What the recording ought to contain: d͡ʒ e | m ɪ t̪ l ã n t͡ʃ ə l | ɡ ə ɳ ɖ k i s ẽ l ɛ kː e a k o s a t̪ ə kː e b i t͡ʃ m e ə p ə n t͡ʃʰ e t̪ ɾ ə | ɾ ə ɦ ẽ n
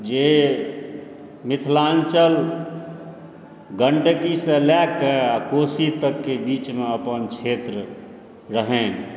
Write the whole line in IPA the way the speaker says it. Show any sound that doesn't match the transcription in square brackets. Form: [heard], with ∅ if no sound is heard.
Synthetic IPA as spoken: d͡ʒ e | m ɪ [t̪ʰ] l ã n t͡ʃ ə l | ɡ ə ɳ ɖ k i s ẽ l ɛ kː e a k o s [i] t̪ ə kː e b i t͡ʃ m e ə p ə n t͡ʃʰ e t̪ ɾ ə | ɾ ə ɦ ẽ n